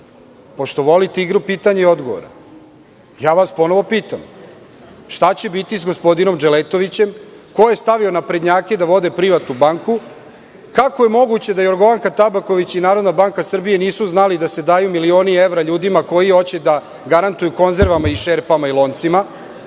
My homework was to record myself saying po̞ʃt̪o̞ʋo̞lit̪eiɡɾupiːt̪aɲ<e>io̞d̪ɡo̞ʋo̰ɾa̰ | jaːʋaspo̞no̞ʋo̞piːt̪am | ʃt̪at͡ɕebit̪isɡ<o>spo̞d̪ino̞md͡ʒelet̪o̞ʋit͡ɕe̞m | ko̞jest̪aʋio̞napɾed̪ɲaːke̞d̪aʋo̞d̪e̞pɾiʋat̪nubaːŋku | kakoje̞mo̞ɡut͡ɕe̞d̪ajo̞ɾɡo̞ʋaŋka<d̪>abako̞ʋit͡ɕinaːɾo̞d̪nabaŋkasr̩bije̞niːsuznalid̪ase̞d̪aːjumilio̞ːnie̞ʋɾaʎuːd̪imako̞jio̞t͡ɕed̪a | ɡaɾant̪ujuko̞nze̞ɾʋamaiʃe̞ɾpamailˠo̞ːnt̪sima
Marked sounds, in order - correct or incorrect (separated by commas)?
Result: correct, correct, incorrect